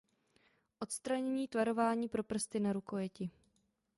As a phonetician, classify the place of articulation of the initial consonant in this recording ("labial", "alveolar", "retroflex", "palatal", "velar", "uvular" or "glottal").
glottal